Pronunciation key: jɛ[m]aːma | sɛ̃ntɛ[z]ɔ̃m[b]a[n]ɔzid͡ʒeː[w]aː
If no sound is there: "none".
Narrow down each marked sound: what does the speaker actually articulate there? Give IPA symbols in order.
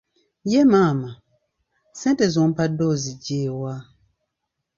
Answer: m, z, p, d, w

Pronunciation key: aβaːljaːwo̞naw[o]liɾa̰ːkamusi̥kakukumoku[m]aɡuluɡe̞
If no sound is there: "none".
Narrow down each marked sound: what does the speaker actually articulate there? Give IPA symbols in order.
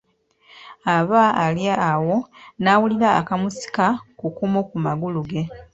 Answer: u, m

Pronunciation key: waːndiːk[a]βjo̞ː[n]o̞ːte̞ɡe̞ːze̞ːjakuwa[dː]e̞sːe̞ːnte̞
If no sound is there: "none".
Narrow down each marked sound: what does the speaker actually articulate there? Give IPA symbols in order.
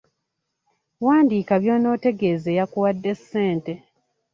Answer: a, n, dː

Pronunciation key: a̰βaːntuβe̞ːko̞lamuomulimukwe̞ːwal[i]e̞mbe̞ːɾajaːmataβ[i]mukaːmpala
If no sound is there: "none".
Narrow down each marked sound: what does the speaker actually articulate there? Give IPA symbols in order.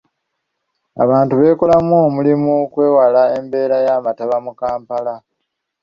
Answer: a, a

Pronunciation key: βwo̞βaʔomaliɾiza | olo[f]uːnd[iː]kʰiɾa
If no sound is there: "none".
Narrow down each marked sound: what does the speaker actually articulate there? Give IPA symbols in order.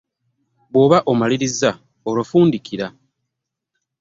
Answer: f, i

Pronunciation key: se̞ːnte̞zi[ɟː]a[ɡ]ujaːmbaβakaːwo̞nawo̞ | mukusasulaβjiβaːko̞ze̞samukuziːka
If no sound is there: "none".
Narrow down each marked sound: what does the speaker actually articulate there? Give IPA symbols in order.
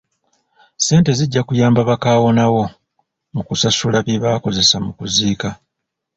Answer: ɟː, k

